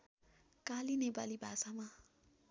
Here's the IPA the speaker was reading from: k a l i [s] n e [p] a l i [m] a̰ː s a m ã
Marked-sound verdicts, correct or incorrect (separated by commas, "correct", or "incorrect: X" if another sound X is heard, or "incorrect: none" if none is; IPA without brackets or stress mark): incorrect: none, incorrect: b, incorrect: b